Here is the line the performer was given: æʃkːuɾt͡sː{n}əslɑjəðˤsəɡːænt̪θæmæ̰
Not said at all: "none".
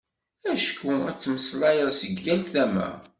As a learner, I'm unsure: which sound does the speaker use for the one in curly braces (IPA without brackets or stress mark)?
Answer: m